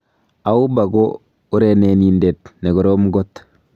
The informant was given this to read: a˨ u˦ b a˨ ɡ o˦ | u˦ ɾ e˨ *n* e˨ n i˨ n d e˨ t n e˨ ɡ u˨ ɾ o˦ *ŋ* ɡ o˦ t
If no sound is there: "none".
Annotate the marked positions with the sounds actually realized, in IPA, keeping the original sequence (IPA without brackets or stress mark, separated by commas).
n, m